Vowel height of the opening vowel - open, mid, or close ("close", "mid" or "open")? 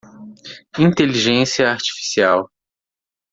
close